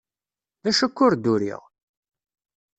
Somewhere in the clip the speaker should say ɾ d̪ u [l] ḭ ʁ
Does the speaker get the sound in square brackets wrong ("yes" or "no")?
yes